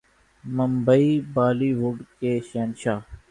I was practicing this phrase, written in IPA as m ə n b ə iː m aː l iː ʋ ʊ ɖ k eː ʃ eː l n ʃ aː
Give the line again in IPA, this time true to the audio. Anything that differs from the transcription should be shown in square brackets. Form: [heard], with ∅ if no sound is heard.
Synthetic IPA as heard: m ə [m] b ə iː [b] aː l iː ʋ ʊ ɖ k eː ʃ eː [∅] n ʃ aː